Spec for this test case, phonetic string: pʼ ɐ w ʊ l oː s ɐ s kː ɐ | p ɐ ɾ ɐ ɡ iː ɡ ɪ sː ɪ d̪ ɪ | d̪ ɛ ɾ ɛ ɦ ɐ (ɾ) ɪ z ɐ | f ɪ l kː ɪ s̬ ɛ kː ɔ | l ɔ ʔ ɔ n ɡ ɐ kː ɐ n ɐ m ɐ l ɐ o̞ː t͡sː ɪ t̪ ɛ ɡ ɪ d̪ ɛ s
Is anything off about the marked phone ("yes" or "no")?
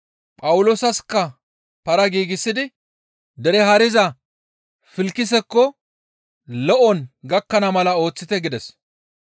no